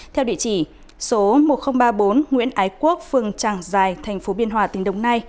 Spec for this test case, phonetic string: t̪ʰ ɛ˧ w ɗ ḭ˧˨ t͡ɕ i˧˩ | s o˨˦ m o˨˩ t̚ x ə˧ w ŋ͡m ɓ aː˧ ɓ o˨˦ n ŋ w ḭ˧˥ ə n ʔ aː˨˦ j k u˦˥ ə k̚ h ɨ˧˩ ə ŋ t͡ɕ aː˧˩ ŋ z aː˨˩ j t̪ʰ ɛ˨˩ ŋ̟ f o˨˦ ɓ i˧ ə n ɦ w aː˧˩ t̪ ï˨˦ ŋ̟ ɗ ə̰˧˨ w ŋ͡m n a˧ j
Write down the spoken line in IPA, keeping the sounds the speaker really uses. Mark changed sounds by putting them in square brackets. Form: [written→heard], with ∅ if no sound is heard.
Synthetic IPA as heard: t̪ʰ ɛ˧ w ɗ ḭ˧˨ t͡ɕ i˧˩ | s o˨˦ m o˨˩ t̚ x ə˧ w ŋ͡m ɓ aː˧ ɓ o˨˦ n ŋ w ḭ˧˥ ə n ʔ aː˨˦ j k u˦˥ ə k̚ [h→f] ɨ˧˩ ə ŋ t͡ɕ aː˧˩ ŋ z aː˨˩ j t̪ʰ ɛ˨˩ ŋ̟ f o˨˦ ɓ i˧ ə n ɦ w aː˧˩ t̪ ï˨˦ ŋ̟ ɗ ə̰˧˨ w ŋ͡m n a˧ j